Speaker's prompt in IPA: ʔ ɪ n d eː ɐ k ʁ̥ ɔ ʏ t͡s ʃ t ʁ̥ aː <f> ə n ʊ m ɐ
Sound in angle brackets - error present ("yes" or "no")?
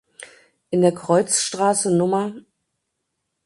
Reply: yes